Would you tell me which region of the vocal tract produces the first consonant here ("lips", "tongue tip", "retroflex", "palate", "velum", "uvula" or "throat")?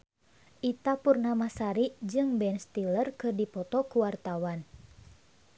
throat